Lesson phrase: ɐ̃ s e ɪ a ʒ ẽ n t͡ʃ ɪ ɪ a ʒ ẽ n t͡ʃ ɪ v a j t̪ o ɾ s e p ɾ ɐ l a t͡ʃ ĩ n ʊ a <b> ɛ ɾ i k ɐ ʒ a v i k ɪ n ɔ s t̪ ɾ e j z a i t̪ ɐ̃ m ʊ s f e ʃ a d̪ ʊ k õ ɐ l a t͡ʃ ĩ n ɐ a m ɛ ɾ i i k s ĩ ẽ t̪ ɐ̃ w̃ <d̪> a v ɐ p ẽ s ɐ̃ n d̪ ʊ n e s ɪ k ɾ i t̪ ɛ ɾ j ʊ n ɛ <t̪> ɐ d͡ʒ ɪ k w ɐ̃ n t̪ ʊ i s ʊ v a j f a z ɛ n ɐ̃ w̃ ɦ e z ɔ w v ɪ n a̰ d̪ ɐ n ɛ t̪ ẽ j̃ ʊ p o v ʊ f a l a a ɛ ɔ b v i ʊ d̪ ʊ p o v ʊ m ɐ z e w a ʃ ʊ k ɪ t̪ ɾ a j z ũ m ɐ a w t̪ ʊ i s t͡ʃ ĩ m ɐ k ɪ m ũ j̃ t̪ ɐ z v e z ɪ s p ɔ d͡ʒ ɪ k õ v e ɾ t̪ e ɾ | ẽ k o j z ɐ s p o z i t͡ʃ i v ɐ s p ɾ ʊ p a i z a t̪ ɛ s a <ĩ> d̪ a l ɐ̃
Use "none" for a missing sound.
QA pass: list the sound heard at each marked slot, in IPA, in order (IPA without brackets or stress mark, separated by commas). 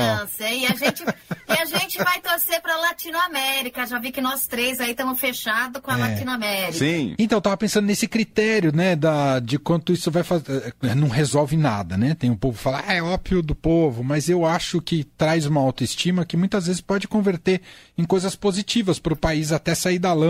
m, t̪, d̪, i